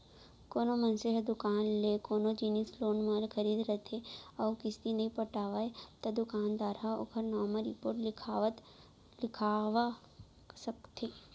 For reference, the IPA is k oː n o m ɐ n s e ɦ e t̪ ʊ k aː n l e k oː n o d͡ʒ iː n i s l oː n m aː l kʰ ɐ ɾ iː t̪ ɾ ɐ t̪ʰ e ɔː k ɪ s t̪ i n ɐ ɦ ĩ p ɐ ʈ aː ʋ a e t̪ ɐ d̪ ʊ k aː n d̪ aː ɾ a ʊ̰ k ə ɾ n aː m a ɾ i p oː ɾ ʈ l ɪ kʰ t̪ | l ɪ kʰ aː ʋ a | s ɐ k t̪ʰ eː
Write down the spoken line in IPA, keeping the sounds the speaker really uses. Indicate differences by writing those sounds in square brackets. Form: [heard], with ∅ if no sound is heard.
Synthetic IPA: k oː n o m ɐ n s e ɦ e [d̪] ʊ k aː n l e k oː n o d͡ʒ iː n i s l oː n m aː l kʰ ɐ ɾ iː [d̪] ɾ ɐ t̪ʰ e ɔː k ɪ s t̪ i n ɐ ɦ ĩ p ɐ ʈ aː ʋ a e t̪ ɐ d̪ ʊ k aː n d̪ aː ɾ a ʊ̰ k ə ɾ n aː m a ɾ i p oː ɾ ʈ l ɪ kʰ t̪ | l ɪ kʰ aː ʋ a | s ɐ k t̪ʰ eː

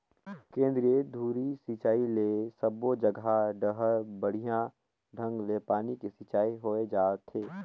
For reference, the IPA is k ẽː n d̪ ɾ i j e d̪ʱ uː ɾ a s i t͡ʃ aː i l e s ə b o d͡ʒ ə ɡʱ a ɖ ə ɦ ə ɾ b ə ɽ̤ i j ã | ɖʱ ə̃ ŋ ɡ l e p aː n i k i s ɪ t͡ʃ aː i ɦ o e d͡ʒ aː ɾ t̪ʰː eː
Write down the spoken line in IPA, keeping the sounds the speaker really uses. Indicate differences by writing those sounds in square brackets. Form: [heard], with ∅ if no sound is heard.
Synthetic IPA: k ẽː n d̪ ɾ i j e d̪ʱ uː ɾ [i] s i t͡ʃ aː i l e s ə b o d͡ʒ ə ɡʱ a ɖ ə ɦ ə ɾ b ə ɽ̤ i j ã | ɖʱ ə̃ ŋ ɡ l e p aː n i k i s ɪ t͡ʃ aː i ɦ o e d͡ʒ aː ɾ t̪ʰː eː

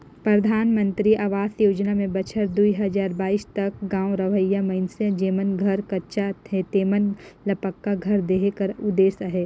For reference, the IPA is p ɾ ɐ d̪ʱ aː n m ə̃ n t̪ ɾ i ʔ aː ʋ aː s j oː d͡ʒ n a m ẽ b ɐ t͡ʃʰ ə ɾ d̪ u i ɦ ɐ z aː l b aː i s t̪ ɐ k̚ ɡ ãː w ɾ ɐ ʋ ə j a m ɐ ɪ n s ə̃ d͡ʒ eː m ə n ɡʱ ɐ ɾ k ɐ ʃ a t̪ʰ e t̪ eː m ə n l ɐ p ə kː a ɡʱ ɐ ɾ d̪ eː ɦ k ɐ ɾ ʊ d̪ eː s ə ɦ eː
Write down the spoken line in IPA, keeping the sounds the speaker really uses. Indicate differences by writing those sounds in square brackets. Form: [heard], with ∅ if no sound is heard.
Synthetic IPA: p ɾ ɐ d̪ʱ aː n m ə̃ n t̪ ɾ i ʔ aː ʋ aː s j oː d͡ʒ n a m ẽ b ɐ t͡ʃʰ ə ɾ d̪ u i ɦ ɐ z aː [ɾ] b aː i s t̪ ɐ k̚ ɡ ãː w ɾ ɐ ʋ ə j a m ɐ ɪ n s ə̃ d͡ʒ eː m ə n ɡʱ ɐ ɾ k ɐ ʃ a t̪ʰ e t̪ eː m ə n l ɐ p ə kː a ɡʱ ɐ ɾ d̪ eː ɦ k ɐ ɾ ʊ d̪ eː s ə ɦ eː

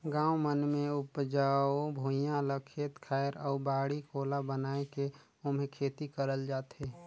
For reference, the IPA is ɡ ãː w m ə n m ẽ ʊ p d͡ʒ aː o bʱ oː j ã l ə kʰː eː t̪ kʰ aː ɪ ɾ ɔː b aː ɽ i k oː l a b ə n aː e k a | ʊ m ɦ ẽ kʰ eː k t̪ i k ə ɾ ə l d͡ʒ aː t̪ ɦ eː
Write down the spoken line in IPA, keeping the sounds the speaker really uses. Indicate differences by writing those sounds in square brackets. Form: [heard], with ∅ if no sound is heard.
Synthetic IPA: ɡ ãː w m ə n m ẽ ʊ p d͡ʒ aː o bʱ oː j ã l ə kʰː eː t̪ kʰ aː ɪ ɾ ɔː b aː ɽ i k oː l a b ə n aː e k [e] | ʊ m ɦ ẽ kʰ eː [∅] t̪ i k ə ɾ ə l d͡ʒ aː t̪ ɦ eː

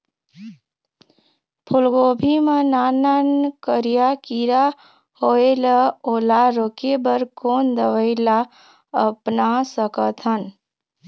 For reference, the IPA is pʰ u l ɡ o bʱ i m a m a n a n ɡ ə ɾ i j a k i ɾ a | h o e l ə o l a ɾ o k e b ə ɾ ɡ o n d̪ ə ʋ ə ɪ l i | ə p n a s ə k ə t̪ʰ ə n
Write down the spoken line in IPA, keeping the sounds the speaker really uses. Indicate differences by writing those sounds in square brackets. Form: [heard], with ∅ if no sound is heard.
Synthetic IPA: pʰ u l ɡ o bʱ i m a [n] a n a n [k] ə ɾ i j a k i ɾ a | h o e l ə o l a ɾ o k e b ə ɾ [k] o n d̪ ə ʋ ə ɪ l [a] | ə p n a s ə k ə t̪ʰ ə n

